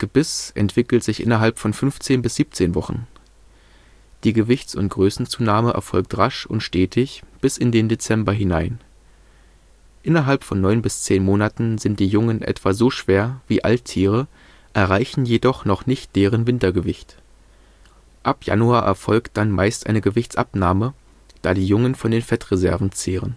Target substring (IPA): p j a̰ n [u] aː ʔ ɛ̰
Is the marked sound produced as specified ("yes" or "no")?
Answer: yes